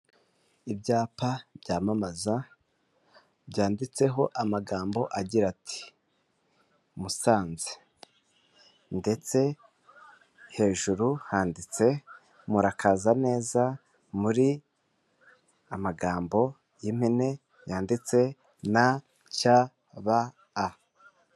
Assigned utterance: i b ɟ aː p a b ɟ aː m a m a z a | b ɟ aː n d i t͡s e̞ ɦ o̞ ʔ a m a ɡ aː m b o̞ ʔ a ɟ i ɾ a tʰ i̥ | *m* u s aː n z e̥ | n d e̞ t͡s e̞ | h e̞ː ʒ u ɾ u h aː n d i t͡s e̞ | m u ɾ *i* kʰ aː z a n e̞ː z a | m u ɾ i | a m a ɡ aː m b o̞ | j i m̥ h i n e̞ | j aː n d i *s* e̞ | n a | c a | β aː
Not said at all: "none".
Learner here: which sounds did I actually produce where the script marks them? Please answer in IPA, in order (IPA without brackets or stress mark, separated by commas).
m, a, t͡s